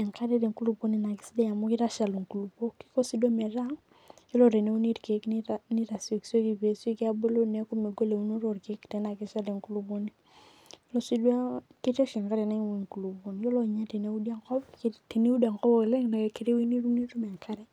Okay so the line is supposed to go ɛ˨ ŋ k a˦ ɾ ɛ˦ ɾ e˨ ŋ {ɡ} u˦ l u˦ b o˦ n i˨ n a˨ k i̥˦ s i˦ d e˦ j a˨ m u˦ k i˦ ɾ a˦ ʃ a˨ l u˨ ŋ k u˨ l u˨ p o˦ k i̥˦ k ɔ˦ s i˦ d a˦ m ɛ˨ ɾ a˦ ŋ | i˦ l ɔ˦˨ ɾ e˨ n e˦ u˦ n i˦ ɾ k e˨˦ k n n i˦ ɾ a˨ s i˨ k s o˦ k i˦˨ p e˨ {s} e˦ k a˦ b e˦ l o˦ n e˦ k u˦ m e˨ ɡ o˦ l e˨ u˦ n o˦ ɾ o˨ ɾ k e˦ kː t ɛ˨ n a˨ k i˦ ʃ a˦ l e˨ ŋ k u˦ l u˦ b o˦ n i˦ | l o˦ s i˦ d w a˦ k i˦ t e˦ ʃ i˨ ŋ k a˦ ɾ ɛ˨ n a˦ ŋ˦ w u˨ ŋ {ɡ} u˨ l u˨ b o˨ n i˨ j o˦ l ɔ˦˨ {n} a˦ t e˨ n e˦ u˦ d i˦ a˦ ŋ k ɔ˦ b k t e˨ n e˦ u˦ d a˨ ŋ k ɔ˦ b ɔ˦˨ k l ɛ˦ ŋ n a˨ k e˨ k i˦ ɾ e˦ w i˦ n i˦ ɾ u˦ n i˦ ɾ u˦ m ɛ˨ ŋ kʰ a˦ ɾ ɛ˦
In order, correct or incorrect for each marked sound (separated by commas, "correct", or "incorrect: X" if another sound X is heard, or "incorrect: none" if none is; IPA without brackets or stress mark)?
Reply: incorrect: k, correct, incorrect: k, incorrect: ɲ